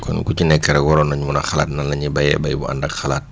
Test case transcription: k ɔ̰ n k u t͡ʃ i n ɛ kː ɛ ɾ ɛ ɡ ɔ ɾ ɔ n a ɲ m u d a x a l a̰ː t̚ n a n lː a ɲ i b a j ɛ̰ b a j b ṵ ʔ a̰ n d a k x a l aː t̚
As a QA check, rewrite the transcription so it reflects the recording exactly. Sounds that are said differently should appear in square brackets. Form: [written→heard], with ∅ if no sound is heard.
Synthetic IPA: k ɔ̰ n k u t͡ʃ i n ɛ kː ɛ ɾ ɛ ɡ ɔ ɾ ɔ n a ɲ m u [d→n] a x a l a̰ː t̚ n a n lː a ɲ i b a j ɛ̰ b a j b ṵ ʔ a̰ n d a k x a l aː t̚